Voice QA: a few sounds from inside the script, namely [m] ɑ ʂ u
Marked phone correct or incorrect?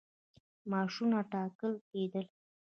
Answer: correct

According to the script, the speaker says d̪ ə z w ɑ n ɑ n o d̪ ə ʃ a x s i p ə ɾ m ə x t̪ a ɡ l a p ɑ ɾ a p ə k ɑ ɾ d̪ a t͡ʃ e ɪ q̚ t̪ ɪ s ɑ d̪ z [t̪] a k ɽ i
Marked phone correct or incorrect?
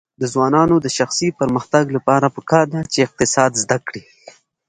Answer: incorrect: d̪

